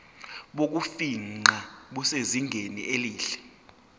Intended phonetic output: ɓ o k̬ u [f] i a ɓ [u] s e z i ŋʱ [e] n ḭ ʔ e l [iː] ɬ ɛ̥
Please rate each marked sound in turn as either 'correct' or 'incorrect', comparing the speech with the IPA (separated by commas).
correct, correct, correct, correct